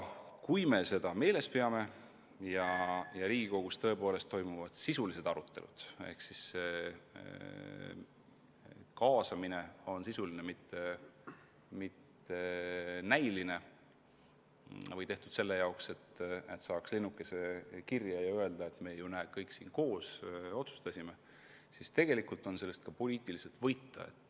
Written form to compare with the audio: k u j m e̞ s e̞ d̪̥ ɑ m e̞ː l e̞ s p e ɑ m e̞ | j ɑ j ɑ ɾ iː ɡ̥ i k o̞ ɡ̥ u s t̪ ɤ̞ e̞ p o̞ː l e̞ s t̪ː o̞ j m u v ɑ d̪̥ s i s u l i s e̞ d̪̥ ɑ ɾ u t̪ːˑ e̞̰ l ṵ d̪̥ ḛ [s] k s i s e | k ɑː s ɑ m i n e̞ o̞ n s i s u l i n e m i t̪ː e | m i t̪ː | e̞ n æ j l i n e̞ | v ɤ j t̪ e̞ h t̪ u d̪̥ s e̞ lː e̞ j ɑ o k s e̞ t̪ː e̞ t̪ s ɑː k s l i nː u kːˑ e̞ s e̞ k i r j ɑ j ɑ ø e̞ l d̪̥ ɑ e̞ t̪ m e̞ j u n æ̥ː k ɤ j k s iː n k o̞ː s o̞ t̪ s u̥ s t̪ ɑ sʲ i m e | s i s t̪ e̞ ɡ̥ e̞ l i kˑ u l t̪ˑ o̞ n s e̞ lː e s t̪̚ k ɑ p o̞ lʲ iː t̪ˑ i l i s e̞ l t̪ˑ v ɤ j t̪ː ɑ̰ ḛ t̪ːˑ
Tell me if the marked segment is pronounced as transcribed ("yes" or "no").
no